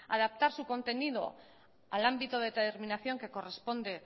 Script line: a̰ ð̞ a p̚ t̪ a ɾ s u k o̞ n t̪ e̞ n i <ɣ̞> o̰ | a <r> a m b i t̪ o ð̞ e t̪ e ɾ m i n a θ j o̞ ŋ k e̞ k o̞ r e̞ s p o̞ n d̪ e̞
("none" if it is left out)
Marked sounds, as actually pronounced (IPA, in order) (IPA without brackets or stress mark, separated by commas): ð̞, l